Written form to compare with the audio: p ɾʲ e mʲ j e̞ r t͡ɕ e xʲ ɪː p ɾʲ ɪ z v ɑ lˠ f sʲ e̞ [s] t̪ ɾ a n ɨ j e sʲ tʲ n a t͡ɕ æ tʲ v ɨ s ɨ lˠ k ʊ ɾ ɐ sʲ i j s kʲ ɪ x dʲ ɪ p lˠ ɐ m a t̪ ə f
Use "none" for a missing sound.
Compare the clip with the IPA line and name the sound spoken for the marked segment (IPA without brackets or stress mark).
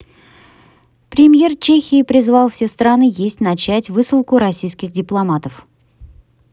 s